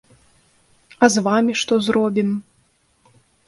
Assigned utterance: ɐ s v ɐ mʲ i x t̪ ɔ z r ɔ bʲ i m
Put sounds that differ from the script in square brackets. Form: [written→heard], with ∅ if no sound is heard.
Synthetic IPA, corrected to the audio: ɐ [s→z] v [ɐ→a] mʲ i [x→ʂ] t̪ ɔ z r ɔ bʲ i m